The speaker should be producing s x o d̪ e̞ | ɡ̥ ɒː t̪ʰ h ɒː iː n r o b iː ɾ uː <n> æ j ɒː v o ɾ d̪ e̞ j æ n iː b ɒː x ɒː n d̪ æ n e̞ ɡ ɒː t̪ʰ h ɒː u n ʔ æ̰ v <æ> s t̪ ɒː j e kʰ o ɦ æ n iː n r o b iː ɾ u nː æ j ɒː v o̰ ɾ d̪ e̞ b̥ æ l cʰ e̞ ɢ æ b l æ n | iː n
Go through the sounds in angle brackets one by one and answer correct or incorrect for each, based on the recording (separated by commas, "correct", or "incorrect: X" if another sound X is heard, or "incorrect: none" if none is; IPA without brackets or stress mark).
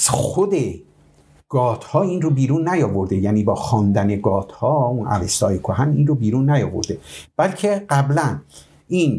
incorrect: nː, incorrect: e